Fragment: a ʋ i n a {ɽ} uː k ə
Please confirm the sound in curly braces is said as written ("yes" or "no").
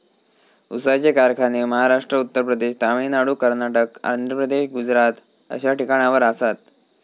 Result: yes